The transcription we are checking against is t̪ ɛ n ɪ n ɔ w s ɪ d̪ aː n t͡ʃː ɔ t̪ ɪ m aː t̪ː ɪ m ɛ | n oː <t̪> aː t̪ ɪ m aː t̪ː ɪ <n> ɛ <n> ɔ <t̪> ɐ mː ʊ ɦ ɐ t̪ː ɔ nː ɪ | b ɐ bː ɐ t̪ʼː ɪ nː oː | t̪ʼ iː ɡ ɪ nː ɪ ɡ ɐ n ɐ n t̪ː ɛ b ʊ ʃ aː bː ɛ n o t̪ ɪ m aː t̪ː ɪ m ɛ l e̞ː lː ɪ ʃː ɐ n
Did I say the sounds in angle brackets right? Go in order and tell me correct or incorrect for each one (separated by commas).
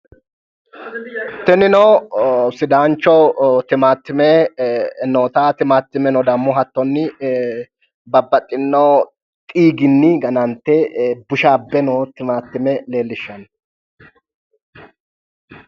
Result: correct, incorrect, correct, incorrect